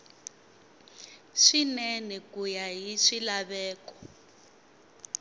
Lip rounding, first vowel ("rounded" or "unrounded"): unrounded